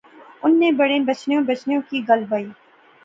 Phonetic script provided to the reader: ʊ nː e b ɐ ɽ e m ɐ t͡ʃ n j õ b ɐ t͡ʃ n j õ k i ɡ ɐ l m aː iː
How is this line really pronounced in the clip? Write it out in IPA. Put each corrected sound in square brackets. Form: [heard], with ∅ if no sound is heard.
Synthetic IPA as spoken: ʊ nː e b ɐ ɽ e [b] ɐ t͡ʃ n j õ b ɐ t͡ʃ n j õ k i ɡ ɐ l [b] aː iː